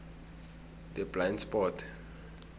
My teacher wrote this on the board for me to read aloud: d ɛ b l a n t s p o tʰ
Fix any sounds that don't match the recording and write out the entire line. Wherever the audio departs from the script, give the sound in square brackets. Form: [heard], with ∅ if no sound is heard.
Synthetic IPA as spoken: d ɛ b l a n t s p [ɔ] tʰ